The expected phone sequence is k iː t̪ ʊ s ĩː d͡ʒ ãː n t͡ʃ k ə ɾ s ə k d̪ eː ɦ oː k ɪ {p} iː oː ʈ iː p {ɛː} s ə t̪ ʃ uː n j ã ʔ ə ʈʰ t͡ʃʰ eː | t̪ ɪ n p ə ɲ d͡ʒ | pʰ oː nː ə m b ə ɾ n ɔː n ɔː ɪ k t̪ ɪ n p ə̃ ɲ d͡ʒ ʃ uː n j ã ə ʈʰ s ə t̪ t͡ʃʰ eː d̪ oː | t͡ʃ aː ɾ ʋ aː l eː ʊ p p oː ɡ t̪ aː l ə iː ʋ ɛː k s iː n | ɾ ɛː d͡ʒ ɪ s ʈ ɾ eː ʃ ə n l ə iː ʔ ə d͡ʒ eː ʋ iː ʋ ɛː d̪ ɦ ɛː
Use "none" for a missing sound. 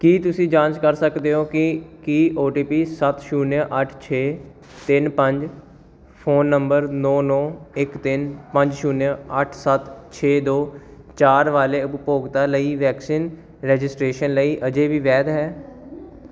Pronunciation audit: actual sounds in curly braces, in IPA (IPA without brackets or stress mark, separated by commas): k, iː